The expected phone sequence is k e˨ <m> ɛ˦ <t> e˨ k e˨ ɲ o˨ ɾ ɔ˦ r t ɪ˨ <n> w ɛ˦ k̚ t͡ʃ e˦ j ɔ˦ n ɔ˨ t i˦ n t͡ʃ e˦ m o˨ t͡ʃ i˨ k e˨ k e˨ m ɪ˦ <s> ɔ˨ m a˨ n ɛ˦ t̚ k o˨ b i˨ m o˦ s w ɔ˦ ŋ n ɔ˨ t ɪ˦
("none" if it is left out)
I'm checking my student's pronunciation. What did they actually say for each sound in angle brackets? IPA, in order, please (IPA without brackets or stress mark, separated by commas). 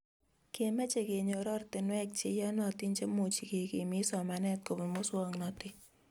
m, t͡ʃ, n, s